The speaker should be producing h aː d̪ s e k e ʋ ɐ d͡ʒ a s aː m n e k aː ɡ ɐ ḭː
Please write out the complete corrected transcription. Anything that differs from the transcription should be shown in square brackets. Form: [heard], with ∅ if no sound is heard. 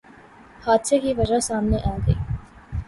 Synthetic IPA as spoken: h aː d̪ s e k [i] ʋ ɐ d͡ʒ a s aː m n e [ʔ] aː ɡ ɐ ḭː